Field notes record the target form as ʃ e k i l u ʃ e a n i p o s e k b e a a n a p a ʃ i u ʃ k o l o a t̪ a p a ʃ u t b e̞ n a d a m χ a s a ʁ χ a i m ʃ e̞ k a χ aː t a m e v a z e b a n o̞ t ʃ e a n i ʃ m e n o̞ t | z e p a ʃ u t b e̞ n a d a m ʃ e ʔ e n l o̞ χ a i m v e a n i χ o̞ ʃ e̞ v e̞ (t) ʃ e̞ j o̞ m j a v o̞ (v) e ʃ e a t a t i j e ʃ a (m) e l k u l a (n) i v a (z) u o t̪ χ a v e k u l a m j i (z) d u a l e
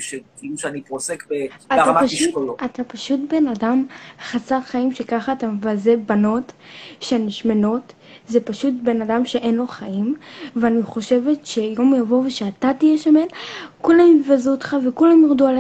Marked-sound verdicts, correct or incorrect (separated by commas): correct, correct, correct, incorrect, correct, incorrect